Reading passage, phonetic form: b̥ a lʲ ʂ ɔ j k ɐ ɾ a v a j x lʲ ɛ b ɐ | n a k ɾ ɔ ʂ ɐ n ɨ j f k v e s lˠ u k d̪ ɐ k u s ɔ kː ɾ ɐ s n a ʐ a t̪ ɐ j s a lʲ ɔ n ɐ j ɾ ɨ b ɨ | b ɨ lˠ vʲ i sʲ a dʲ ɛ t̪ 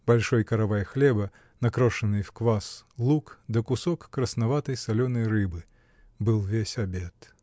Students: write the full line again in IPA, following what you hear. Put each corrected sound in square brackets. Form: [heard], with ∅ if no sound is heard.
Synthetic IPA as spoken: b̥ a lʲ ʂ ɔ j k ɐ ɾ a v a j x lʲ ɛ b ɐ | n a k ɾ ɔ ʂ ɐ n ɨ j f k v [a] s lˠ u k d̪ ɐ k u s ɔ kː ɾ ɐ s n a [v] a t̪ ɐ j s a lʲ ɔ n ɐ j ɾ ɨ b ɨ | b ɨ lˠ vʲ [e] sʲ a [bʲ] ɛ t̪

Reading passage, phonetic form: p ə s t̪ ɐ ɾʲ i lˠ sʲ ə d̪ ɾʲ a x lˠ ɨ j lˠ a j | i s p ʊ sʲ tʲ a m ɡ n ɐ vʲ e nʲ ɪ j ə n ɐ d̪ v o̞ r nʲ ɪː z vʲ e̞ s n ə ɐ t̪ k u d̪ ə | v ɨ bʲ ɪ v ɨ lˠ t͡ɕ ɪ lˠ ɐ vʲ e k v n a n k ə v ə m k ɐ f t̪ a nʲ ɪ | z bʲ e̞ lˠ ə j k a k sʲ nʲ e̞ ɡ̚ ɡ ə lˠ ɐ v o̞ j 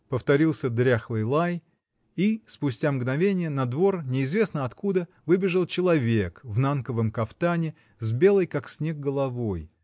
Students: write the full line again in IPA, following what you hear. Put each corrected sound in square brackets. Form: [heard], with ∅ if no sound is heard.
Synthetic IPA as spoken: p ə [f] t̪ ɐ ɾʲ i lˠ sʲ ə d̪ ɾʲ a x lˠ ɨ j lˠ a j | i s p ʊ sʲ tʲ a m ɡ n ɐ vʲ e nʲ ɪ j ə n ɐ d̪ v o̞ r nʲ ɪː z vʲ e̞ s n ə ɐ t̪ k u d̪ ə | v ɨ bʲ ɪ [ʐ] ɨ lˠ t͡ɕ ɪ lˠ ɐ vʲ e k v n a n k ə v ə m k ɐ f t̪ a nʲ ɪ | z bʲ e̞ lˠ ə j k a k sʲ nʲ e̞ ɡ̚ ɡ ə lˠ ɐ v o̞ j

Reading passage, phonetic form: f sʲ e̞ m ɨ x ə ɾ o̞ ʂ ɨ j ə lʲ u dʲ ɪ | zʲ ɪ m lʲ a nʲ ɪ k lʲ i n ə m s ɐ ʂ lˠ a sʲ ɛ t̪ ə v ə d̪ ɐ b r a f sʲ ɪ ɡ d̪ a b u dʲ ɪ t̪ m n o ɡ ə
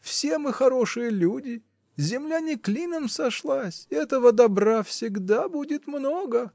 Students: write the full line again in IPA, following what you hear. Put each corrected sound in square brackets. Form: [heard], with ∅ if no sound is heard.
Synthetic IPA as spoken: f sʲ e̞ m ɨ x [ɐ] ɾ o̞ ʂ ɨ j ə lʲ u dʲ ɪ | zʲ ɪ m lʲ a nʲ ɪ k lʲ i n ə m s ɐ ʂ lˠ a sʲ ɛ t̪ ə v ə d̪ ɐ b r a f sʲ ɪ ɡ d̪ a b u dʲ ɪ t̪ m n o ɡ ə

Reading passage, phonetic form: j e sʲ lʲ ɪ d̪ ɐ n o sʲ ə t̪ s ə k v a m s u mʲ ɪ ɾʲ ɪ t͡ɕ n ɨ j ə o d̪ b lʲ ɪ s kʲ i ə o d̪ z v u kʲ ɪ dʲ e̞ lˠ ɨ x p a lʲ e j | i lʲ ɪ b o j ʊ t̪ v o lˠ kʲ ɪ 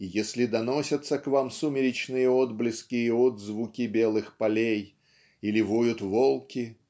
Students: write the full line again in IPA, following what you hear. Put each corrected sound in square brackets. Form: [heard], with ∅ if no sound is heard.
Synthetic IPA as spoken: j e sʲ lʲ ɪ d̪ ɐ n o sʲ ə t̪ s ə k v a m s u mʲ ɪ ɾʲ ɪ t͡ɕ n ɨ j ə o d̪ b lʲ ɪ s kʲ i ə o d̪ z v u kʲ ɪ [bʲ] e̞ lˠ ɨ x p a lʲ e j | i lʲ ɪ [v] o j ʊ t̪ v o lˠ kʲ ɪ

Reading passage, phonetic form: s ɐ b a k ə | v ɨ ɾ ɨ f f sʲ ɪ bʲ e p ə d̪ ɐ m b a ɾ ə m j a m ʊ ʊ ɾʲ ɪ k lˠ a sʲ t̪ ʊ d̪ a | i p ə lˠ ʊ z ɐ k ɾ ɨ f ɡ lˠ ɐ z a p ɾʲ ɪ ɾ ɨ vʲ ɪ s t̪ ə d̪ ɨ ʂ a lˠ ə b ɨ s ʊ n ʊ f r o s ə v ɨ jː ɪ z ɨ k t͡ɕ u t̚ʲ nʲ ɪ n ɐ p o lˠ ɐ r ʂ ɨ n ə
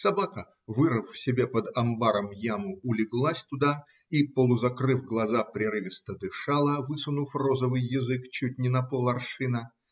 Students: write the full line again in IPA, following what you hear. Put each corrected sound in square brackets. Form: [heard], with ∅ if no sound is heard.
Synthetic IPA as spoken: s ɐ b a k ə | v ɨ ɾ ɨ f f sʲ ɪ bʲ e p ə d̪ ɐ m b a ɾ ə m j a m ʊ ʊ [lʲ] ɪ [ɡ] lˠ a sʲ t̪ ʊ d̪ a | i p ə lˠ ʊ z ɐ k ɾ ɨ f ɡ lˠ ɐ z a p ɾʲ ɪ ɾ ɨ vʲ ɪ s t̪ ə d̪ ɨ ʂ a lˠ ə [v] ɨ s ʊ n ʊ f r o [z] ə v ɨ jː ɪ z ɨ k t͡ɕ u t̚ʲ nʲ ɪ n ɐ p o lˠ ɐ r ʂ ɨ n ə

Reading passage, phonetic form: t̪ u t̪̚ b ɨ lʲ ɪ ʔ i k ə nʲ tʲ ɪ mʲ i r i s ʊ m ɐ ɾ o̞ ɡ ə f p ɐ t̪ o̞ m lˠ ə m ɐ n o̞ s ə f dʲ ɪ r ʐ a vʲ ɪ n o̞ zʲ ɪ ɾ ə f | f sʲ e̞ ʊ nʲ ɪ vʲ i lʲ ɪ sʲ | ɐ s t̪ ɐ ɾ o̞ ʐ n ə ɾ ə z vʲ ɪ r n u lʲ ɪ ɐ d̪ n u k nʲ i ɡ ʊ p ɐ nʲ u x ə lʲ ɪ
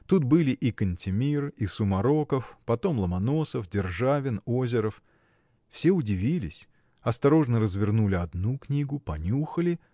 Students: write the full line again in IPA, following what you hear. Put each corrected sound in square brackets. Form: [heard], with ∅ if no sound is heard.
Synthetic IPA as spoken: t̪ u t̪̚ b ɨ lʲ ɪ ʔ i k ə nʲ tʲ ɪ mʲ i r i s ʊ m ɐ ɾ o̞ [k] ə f p ɐ t̪ o̞ m lˠ ə m ɐ n o̞ s ə f dʲ ɪ r ʐ a vʲ ɪ n o̞ zʲ ɪ ɾ ə f | f sʲ e̞ ʊ [dʲ] ɪ vʲ i lʲ ɪ sʲ | ɐ s t̪ ɐ ɾ o̞ ʐ n ə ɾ ə z vʲ ɪ r n u lʲ ɪ ɐ d̪ n u k nʲ i ɡ ʊ p ɐ nʲ u x ə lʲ ɪ

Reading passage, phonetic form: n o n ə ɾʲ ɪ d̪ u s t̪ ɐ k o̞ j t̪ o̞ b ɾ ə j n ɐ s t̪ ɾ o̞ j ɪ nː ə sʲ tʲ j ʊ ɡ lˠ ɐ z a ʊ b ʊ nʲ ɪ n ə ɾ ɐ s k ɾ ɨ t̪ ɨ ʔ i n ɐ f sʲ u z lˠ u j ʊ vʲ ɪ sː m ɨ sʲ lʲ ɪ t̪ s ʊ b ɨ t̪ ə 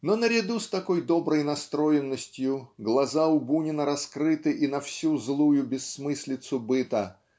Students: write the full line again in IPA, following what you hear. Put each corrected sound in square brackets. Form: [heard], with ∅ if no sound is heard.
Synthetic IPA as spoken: n o n ə ɾʲ ɪ d̪ u s t̪ ɐ k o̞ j [d̪] o̞ b ɾ ə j n ɐ s t̪ ɾ o̞ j ɪ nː ə sʲ tʲ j ʊ ɡ lˠ ɐ z a ʊ b [u] nʲ ɪ n ə ɾ ɐ s k ɾ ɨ t̪ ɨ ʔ i n ɐ f sʲ u z lˠ u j ʊ [bʲ] ɪ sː m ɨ sʲ lʲ ɪ t̪ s ʊ b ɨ t̪ ə

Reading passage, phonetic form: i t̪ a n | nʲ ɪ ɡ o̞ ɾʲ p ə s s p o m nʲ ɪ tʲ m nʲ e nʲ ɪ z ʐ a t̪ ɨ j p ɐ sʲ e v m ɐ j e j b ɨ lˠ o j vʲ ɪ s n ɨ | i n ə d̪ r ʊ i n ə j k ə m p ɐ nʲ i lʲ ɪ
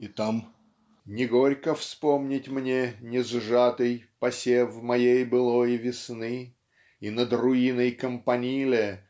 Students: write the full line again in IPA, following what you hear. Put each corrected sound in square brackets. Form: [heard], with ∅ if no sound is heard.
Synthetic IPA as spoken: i t̪ a [m] | nʲ ɪ ɡ o̞ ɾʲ [k] ə [f] s p o m nʲ ɪ tʲ m nʲ e nʲ ɪ z ʐ a t̪ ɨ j p ɐ sʲ e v m ɐ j e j b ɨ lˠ o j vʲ ɪ s n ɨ | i n ə d̪ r ʊ i n ə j k ə m p ɐ nʲ i lʲ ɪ

